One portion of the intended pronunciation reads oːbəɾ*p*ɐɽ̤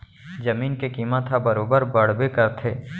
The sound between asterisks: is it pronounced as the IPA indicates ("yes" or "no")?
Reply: no